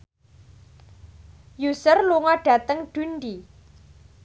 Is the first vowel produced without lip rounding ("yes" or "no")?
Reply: no